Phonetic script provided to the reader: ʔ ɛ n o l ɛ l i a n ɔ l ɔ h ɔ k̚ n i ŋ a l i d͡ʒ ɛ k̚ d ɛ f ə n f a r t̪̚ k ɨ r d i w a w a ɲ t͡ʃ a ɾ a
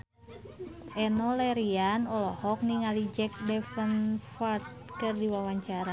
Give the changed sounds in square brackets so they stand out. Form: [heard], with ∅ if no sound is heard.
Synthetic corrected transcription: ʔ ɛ n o l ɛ [ɾ] i a n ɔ l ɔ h ɔ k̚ n i ŋ a l i d͡ʒ ɛ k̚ d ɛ f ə n f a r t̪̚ k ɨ r d i w a w a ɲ t͡ʃ a ɾ a

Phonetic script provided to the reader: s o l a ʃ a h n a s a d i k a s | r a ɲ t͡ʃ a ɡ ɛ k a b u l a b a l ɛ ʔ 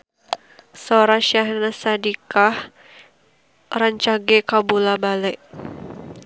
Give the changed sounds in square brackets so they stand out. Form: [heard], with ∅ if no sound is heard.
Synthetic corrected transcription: s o [ɾ] a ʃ a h n a s a d i k a [h] | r a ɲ t͡ʃ a ɡ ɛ k a b u l a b a l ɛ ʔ

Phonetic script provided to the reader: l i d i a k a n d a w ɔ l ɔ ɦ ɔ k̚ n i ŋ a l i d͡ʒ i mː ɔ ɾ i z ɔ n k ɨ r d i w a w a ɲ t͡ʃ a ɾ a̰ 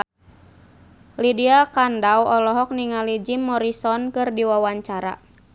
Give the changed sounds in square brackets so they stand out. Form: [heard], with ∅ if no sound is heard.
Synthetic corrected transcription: l i d i a k a n d a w ɔ l ɔ ɦ ɔ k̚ n i ŋ a l i d͡ʒ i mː ɔ ɾ i [s] ɔ n k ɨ r d i w a w a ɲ t͡ʃ a ɾ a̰

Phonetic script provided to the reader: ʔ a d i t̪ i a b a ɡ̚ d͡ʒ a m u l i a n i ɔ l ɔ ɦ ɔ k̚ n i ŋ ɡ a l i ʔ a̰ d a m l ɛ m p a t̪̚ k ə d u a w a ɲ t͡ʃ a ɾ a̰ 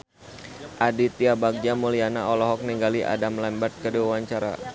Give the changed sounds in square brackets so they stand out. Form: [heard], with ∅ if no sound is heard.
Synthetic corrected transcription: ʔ a d i t̪ i a b a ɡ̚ d͡ʒ a m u l i a n [a] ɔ l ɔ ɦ ɔ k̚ n i ŋ ɡ a l i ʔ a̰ d a m l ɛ m [b] a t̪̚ k ə d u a w a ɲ t͡ʃ a ɾ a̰

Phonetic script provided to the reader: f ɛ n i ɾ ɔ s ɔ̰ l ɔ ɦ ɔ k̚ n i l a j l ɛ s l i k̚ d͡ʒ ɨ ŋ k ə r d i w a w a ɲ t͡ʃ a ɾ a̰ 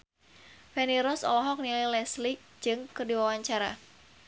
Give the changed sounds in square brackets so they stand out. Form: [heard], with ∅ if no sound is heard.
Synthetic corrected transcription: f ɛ n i ɾ ɔ s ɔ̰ l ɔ ɦ ɔ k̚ n i l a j l ɛ s l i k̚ d͡ʒ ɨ ŋ k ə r d i w a w a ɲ t͡ʃ a ɾ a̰

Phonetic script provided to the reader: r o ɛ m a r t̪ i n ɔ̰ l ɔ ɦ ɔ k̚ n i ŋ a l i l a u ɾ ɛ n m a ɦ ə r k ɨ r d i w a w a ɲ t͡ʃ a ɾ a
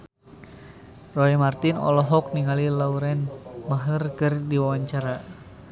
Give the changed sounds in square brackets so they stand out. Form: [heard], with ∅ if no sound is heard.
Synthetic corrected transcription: r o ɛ m a r t̪ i n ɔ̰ l ɔ ɦ ɔ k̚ n i ŋ a l i l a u ɾ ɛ n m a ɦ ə r k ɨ r d i w a w a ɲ t͡ʃ a ɾ a

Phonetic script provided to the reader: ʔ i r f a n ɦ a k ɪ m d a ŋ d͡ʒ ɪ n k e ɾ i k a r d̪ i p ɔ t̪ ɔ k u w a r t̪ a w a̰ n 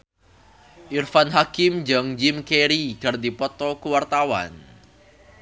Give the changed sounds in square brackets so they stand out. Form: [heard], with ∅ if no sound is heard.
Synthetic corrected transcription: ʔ i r f a n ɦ a k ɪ m [d͡ʒ] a ŋ d͡ʒ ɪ [m] k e ɾ i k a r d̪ i p ɔ t̪ ɔ k u w a r t̪ a w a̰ n

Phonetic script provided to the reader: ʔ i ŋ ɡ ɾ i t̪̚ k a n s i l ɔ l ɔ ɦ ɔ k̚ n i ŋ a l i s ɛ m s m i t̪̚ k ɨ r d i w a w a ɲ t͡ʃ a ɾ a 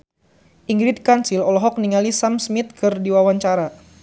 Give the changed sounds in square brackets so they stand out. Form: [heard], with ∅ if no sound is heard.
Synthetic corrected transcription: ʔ i ŋ ɡ ɾ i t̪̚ k a n s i l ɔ l ɔ ɦ ɔ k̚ n i ŋ a l i s [a] m s m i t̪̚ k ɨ r d i w a w a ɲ t͡ʃ a ɾ a

